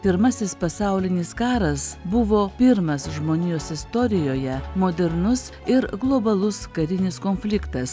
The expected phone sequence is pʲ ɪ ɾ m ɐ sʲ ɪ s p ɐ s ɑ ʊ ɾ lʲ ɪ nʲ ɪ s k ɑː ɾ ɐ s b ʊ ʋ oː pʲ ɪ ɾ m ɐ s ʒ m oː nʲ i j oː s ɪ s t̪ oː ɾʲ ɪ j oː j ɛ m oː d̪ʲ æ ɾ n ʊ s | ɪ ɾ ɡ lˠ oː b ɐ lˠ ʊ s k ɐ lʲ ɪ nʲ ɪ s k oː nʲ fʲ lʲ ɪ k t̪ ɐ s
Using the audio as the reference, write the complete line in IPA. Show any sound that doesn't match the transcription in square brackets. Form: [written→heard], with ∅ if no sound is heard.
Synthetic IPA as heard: pʲ ɪ ɾ m ɐ sʲ ɪ s p ɐ s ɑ ʊ [ɾ→∅] lʲ ɪ nʲ ɪ s k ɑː ɾ ɐ s b ʊ ʋ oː pʲ ɪ ɾ m ɐ s ʒ m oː nʲ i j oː s ɪ s t̪ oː ɾʲ ɪ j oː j ɛ m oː d̪ʲ [æ→ɛ] ɾ n ʊ s | ɪ ɾ ɡ lˠ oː b ɐ lˠ ʊ s k ɐ [lʲ→ɾʲ] ɪ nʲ ɪ s k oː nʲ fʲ lʲ ɪ k t̪ ɐ s